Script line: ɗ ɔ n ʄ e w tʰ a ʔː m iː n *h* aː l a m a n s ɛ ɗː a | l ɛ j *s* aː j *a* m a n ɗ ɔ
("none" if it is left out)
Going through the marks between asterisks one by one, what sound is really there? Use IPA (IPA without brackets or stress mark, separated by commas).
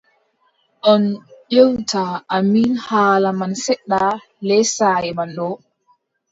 h, s, ɛ